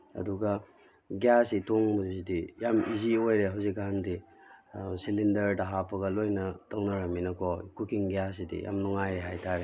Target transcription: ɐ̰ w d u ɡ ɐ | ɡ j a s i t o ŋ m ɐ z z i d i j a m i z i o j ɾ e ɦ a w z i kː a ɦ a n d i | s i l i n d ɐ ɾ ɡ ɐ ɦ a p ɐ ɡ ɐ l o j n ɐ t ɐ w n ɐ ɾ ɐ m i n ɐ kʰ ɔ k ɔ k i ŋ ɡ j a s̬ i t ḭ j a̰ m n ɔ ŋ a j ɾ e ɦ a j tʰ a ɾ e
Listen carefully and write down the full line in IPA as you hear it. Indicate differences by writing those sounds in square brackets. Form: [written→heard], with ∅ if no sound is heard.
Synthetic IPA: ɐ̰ [w→∅] d u ɡ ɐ | ɡ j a s i t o ŋ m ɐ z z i d i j a m i z i o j ɾ e ɦ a w z i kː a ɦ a n d i | s i l i n d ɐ ɾ [ɡ→d] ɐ ɦ a p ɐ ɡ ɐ l o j n ɐ t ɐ w n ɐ ɾ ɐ m i n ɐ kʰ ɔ k [ɔ→u] k i ŋ ɡ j a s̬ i [t→d] ḭ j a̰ m n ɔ ŋ a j ɾ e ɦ a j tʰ a ɾ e